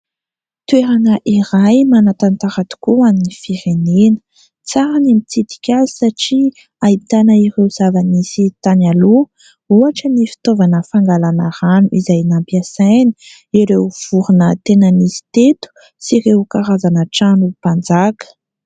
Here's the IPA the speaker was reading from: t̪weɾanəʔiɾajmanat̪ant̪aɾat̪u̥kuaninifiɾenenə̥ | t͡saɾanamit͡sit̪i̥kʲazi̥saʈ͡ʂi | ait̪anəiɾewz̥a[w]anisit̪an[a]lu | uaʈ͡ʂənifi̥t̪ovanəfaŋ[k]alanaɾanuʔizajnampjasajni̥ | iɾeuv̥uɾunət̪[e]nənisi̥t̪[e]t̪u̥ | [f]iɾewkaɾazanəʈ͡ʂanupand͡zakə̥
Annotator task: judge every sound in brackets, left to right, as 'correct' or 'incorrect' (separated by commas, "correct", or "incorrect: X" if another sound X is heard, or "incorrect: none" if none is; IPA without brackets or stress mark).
incorrect: v, correct, incorrect: ɡ, correct, correct, incorrect: s